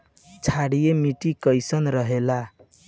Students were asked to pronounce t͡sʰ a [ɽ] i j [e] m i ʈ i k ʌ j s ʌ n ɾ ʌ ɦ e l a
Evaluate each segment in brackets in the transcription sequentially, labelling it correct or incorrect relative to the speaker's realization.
correct, correct

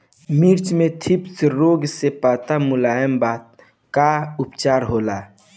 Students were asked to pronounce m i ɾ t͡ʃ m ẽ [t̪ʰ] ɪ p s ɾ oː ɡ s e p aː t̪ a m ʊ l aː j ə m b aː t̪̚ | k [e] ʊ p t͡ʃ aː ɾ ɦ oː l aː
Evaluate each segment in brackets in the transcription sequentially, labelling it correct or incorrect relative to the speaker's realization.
correct, incorrect: a

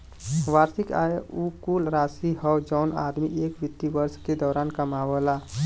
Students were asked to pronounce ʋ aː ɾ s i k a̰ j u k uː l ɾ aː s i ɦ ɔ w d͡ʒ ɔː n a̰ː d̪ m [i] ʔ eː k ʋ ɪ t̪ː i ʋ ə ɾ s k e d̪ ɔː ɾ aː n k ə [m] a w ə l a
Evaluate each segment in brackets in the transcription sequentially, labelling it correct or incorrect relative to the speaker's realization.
correct, correct

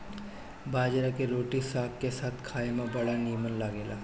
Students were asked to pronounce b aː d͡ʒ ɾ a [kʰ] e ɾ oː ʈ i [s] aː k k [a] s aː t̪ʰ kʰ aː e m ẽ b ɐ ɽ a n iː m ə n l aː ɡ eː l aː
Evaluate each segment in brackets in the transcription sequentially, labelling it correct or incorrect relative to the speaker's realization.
incorrect: k, correct, incorrect: e

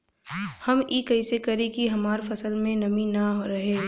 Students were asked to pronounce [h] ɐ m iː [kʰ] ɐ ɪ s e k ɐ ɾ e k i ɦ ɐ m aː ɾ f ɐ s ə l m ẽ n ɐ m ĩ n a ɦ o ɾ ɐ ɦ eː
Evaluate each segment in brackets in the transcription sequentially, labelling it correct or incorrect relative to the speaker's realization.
correct, incorrect: k

